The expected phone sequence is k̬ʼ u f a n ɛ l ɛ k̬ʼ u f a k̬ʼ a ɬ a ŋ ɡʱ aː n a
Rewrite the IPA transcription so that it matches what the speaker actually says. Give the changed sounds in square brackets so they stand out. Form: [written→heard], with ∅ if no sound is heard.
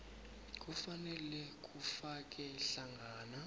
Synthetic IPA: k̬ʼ u f a n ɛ l ɛ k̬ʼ u f a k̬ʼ [a→ɛ] ɬ a ŋ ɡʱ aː n a